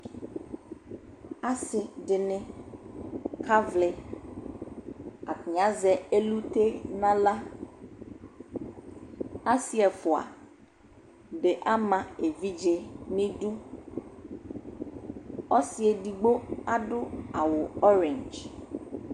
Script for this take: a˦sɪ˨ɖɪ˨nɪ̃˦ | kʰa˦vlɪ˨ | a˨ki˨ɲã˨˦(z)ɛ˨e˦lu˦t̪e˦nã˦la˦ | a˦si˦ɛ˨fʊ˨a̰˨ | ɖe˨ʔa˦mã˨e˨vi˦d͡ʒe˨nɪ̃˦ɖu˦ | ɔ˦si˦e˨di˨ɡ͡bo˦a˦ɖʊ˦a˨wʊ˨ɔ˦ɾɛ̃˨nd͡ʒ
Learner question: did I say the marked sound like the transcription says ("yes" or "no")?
yes